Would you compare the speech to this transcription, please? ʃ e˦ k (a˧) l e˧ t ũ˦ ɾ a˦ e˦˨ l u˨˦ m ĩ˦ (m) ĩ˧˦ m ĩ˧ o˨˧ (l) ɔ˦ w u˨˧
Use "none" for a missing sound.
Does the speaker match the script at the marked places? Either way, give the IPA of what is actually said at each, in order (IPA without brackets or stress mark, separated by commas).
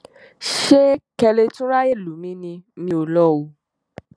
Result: ɛ˧, n, l